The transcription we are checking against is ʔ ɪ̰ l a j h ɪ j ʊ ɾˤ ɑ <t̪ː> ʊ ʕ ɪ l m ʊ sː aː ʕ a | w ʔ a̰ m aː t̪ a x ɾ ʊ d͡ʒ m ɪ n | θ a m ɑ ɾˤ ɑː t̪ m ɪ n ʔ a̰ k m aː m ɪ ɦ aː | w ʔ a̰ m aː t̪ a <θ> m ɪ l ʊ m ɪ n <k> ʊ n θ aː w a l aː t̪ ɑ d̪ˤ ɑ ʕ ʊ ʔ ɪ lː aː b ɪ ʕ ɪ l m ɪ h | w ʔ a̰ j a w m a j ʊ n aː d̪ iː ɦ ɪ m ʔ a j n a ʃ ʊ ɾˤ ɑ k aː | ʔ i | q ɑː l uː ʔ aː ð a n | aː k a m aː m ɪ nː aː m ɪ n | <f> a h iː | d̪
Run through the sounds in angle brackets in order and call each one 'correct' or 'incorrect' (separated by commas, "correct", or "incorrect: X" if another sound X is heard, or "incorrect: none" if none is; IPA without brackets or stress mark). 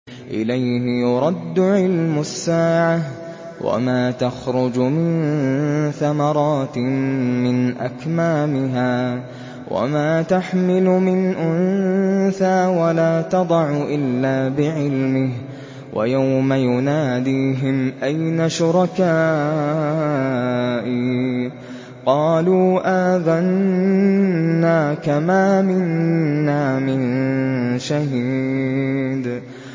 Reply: incorrect: d̪ː, incorrect: ħ, incorrect: ʔ, incorrect: ʃ